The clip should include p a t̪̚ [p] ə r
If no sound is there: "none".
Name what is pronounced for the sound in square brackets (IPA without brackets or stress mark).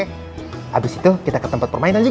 p